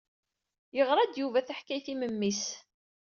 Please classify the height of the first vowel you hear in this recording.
mid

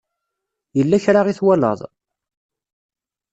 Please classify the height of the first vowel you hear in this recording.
mid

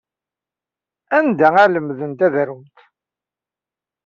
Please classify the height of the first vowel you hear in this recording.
low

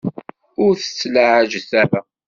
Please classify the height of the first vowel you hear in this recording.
high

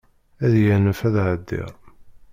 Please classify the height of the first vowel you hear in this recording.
low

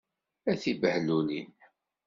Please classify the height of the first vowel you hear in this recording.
low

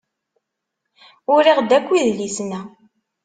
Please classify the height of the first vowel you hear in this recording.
high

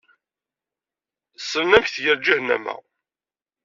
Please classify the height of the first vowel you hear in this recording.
mid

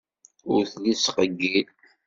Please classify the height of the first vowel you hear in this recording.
high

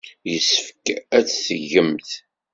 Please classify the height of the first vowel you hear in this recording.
mid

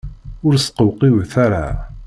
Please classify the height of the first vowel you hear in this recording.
high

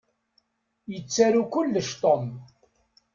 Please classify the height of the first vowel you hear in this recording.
mid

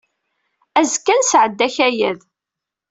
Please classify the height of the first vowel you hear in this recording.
low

